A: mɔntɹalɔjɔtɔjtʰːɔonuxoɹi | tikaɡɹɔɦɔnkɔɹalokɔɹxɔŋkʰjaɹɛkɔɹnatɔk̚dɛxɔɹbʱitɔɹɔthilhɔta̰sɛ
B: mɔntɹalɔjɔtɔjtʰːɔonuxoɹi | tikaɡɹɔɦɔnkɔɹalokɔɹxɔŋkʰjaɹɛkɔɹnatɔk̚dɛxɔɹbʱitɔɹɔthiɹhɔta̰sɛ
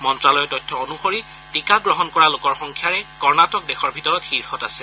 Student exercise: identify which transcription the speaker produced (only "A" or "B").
B